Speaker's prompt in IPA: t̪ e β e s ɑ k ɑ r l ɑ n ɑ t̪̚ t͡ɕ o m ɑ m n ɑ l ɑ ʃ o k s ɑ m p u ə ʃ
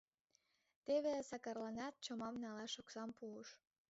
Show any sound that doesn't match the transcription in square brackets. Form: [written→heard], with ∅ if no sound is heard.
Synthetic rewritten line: t̪ e β e s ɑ k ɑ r l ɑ n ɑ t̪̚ t͡ɕ o m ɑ m n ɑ l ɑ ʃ o k s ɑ m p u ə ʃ